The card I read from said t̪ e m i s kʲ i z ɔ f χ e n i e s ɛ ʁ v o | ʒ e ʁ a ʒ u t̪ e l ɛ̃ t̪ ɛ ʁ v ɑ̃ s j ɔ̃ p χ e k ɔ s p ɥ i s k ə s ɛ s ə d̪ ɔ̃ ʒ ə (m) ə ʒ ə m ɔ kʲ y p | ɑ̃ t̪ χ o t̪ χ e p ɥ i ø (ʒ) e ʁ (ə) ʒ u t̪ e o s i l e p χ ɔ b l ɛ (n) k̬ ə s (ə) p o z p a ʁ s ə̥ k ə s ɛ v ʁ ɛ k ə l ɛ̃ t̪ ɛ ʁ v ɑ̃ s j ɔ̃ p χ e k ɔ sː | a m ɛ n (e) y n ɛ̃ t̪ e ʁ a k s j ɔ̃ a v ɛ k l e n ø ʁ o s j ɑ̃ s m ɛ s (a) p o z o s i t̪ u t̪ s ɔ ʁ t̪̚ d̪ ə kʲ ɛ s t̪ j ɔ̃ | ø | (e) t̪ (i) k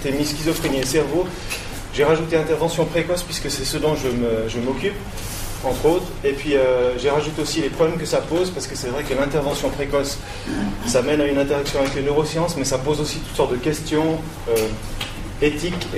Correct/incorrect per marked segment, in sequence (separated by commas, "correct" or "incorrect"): correct, correct, incorrect, incorrect, incorrect, incorrect, correct, correct, correct